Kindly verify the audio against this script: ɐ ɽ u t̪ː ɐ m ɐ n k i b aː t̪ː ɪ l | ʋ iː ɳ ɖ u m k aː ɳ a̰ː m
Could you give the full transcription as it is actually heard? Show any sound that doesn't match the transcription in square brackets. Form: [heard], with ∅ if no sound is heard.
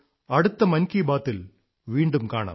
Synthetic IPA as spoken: ɐ ɽ [ɯ] t̪ː ɐ m ɐ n k i b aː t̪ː ɪ l | ʋ iː ɳ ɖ [ɯ] m k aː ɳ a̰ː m

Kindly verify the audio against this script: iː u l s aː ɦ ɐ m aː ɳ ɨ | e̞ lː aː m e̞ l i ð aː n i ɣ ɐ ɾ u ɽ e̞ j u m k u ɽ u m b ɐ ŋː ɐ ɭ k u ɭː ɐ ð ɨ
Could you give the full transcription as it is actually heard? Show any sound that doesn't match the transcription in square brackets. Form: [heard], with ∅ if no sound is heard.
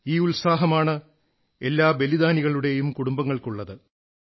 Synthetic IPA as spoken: iː u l s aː ɦ ɐ m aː ɳ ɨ | e̞ lː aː [b] e̞ l i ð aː n i ɣ ɐ [ɭ] u ɽ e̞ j u m k u ɽ u m b ɐ ŋː ɐ ɭ k u ɭː ɐ ð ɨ

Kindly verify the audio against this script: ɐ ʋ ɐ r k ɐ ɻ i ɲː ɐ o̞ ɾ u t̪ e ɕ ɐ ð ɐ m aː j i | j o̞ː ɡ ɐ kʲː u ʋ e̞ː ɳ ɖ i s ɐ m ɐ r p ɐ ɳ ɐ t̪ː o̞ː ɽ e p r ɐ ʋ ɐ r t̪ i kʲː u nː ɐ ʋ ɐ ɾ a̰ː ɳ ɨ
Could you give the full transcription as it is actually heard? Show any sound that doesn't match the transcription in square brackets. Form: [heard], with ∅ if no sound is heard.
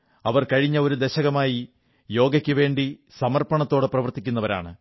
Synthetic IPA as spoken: ɐ ʋ ɐ r k ɐ ɻ i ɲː ɐ o̞ ɾ u [d̪] e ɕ ɐ [ɣ] ɐ m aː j i | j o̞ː ɡ ɐ kʲː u ʋ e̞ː ɳ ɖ i s ɐ m ɐ r p ɐ ɳ ɐ t̪ː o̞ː ɽ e p r ɐ ʋ ɐ r t̪ i kʲː u nː ɐ ʋ ɐ ɾ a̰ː ɳ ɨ

